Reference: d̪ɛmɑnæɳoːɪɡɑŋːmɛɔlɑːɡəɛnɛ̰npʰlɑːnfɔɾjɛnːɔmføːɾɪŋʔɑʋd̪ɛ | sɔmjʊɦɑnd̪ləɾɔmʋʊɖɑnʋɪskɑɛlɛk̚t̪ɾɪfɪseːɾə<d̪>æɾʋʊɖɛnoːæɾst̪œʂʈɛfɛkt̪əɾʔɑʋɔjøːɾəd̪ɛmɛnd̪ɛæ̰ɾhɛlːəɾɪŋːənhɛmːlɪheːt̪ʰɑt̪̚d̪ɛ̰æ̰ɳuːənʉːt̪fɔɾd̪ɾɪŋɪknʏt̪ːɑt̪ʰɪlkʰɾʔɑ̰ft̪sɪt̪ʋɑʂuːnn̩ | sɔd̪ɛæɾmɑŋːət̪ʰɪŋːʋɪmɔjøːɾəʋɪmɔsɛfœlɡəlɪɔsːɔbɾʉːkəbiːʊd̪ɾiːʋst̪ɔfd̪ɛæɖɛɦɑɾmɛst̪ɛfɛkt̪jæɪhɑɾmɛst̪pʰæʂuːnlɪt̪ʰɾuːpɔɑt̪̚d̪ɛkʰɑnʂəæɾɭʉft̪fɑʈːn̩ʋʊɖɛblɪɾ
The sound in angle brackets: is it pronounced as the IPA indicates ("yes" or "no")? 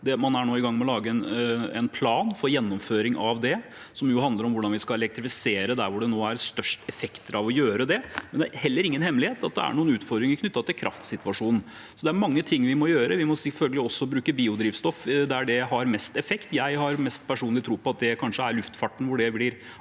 yes